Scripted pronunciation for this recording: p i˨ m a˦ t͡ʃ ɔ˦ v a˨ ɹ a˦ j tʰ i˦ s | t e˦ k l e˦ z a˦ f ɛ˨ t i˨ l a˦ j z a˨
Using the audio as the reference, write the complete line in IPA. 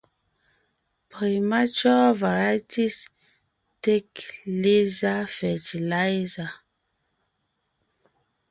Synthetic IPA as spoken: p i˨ m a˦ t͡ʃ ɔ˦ v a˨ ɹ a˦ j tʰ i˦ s | t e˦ k l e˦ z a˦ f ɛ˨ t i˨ l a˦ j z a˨